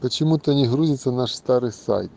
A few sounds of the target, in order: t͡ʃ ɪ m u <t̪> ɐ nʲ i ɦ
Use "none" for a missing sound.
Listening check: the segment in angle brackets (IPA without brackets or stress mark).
t̪